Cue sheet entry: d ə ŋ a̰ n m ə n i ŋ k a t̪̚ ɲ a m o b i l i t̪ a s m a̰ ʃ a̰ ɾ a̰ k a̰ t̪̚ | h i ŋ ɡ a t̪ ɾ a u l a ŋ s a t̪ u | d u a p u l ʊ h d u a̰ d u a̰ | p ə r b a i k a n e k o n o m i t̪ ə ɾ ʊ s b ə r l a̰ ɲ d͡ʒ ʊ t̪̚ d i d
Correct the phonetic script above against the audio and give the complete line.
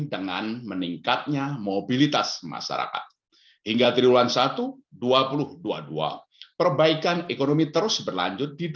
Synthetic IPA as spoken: d ə ŋ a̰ n m ə n i ŋ k a t̪̚ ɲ a m o b i l i t̪ a s m a̰ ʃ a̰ ɾ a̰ k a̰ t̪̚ | h i ŋ ɡ a t̪ ɾ i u l a n s a t̪ u | d u a p u l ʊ h d u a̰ d u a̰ | p ə r b a i k a n e k o n o m i t̪ ə ɾ ʊ s b ə r l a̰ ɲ d͡ʒ ʊ t̪̚ d i d